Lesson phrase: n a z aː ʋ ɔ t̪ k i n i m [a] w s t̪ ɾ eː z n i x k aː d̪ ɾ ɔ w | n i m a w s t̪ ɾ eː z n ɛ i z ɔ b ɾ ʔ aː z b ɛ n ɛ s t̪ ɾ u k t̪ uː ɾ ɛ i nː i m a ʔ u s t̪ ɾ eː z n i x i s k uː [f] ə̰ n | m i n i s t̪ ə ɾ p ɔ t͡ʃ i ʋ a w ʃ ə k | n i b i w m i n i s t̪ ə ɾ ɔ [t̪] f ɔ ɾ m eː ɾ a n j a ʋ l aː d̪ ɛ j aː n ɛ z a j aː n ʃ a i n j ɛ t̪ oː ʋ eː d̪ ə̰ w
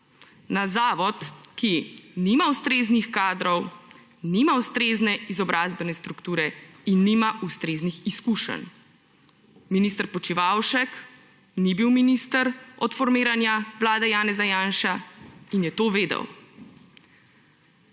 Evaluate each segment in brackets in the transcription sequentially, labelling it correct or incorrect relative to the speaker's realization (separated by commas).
correct, incorrect, correct